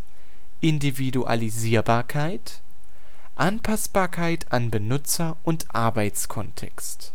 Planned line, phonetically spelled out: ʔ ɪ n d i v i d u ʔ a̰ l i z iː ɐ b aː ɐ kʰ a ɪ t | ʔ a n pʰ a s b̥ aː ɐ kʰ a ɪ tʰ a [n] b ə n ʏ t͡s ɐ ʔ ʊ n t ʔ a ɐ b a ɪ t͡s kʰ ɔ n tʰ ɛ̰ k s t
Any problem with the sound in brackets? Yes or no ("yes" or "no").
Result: no